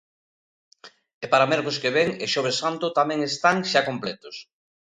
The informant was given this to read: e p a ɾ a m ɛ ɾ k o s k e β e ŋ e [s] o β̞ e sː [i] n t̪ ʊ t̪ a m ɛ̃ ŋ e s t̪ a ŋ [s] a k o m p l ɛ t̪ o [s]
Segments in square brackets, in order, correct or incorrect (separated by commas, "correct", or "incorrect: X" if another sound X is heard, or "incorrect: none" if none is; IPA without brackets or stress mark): incorrect: ʃ, incorrect: a, incorrect: ʃ, correct